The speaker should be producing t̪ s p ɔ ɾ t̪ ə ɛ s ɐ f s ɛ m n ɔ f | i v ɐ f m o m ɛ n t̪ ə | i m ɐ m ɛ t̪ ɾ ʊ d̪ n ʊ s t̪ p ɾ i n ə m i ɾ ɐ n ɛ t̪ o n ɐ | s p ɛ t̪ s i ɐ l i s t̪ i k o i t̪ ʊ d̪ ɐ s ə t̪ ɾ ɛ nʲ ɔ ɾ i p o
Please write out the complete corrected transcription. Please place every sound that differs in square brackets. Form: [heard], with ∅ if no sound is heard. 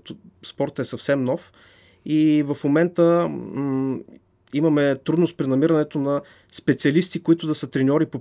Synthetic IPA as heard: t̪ s p ɔ ɾ t̪ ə ɛ s ɐ f s ɛ m n ɔ f | i v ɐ f m o m ɛ n t̪ ə | i m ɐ m ɛ t̪ ɾ [u] d̪ n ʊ s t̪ p ɾ i n [ɐ] m i ɾ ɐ n ɛ t̪ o n ɐ | s p ɛ t̪ s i ɐ l i s t̪ i k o i t̪ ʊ d̪ ɐ s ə t̪ ɾ ɛ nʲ ɔ ɾ i p o